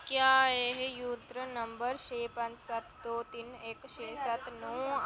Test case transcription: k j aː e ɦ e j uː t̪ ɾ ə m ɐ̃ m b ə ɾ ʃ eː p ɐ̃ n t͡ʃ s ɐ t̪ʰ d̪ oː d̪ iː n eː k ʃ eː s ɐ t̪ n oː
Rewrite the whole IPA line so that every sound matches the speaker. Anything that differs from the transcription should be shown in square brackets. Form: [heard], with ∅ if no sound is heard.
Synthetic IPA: k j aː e ɦ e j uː t̪ ɾ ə [n] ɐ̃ m b ə ɾ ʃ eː p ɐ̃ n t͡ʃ s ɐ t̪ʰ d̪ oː [t̪] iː n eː k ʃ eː s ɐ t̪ n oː

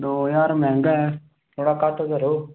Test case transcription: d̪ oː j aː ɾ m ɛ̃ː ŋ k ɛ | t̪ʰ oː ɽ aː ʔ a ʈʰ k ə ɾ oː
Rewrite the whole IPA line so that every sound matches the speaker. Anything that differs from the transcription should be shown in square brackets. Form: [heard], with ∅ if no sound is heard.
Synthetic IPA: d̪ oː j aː ɾ m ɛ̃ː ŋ [ɡ] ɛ | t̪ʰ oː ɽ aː [k] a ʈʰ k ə ɾ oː

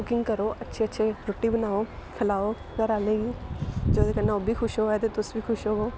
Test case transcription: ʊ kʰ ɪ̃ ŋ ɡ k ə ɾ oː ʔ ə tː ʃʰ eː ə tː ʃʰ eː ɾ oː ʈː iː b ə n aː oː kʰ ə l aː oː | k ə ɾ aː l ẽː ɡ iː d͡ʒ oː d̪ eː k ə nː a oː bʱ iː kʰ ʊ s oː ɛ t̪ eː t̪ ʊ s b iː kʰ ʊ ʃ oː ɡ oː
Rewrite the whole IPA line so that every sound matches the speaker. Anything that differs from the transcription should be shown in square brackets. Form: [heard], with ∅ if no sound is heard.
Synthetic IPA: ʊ [k] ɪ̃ ŋ ɡ k ə ɾ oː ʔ ə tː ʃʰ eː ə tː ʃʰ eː ɾ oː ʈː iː b ə n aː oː kʰ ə l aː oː | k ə ɾ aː l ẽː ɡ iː d͡ʒ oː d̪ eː k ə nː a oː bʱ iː kʰ ʊ [ʃ] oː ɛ t̪ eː t̪ ʊ s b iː kʰ ʊ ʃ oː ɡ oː

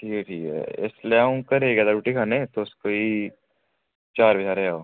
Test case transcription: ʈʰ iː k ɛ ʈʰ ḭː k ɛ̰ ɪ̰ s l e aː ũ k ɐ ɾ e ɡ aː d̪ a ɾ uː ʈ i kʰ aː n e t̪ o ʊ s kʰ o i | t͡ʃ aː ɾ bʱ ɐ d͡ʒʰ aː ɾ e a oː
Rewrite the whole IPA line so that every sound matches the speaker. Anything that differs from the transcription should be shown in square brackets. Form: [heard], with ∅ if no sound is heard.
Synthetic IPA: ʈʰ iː k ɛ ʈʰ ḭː k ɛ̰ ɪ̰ s l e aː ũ k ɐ ɾ e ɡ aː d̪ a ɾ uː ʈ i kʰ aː n e t̪ o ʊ s [k] o i | t͡ʃ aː ɾ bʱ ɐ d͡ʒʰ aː ɾ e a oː

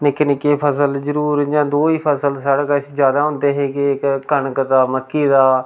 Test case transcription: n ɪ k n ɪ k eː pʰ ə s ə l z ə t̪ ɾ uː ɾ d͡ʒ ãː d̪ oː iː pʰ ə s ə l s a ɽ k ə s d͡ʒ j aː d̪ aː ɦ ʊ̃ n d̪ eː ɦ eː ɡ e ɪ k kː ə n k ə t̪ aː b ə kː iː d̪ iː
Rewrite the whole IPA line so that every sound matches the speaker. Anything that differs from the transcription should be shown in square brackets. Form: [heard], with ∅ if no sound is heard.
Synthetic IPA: n ɪ k n ɪ k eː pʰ ə s ə l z ə [∅] ɾ uː ɾ d͡ʒ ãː d̪ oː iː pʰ ə s ə l s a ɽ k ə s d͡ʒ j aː d̪ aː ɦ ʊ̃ n d̪ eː ɦ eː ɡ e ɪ k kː ə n k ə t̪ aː [m] ə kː iː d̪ [aː]

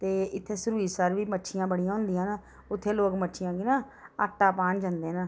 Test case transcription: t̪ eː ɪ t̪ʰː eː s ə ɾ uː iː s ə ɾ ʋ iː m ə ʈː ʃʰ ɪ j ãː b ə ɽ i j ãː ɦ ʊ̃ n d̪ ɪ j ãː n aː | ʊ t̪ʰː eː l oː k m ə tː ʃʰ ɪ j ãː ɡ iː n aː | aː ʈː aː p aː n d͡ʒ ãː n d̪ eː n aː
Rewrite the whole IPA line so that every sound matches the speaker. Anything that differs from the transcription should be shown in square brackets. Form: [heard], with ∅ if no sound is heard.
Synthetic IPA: t̪ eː ɪ t̪ʰː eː s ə ɾ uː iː s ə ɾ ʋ iː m ə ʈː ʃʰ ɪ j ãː b ə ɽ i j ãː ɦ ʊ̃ n d̪ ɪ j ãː n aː | ʊ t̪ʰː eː l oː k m ə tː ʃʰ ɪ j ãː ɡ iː n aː | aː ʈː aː p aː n d͡ʒ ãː n d̪ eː n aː

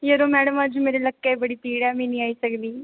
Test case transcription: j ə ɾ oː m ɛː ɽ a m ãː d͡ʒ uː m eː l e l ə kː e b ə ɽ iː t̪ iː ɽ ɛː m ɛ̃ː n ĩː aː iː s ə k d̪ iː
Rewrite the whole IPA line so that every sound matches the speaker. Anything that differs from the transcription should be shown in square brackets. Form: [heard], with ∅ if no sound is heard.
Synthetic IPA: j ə ɾ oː m ɛː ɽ [ə] m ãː d͡ʒ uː m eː [ɾ] e l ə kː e b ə ɽ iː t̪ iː ɽ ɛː m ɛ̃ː n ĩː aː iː s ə k d̪ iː

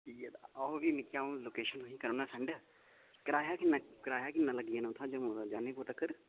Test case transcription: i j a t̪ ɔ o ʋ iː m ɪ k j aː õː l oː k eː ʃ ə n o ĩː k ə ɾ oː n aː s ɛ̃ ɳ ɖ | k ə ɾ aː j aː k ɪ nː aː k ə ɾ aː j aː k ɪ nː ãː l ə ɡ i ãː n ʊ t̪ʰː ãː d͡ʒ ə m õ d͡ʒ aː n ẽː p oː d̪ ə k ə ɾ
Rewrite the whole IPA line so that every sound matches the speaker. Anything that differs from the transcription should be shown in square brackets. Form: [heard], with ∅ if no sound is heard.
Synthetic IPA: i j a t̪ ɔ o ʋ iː m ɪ k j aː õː l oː k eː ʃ ə n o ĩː k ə ɾ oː n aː s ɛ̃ ɳ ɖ | k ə ɾ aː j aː k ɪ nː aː k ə ɾ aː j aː k ɪ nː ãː l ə ɡ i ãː n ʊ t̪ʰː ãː d͡ʒ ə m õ d͡ʒ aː n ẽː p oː [t̪] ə k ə ɾ

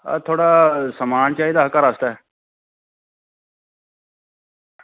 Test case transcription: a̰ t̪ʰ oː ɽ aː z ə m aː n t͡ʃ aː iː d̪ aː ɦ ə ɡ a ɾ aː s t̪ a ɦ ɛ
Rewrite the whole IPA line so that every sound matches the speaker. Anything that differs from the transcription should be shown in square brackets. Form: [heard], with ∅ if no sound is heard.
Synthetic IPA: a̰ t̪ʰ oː ɽ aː [s] ə m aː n t͡ʃ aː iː d̪ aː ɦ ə [k] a ɾ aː s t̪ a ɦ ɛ

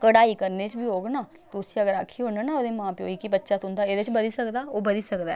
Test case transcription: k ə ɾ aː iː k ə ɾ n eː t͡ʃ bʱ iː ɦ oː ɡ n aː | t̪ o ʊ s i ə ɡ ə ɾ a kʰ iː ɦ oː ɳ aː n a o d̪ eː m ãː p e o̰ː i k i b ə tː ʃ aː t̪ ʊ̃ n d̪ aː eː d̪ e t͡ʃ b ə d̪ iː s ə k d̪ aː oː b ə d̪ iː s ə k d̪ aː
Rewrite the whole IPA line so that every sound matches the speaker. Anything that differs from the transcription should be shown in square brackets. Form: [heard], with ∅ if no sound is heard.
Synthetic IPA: k ə [ɽ] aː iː k ə ɾ n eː t͡ʃ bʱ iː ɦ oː ɡ n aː | t̪ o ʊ s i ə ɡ ə ɾ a kʰ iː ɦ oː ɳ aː n a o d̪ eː m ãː p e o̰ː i k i b ə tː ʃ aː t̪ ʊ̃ n d̪ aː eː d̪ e t͡ʃ b ə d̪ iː s ə k d̪ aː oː b ə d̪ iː s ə k d̪ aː

